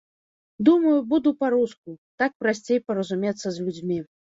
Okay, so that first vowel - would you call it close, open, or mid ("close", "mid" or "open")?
close